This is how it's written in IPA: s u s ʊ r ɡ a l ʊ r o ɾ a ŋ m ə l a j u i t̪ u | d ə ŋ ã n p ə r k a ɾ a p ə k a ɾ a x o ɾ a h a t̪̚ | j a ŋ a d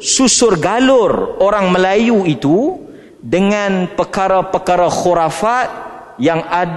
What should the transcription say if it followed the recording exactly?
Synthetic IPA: s u s ʊ r ɡ a l ʊ r o ɾ a ŋ m ə l a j u i t̪ u | d ə ŋ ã n p ə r k a ɾ a p ə k a ɾ a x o ɾ a f a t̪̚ | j a ŋ a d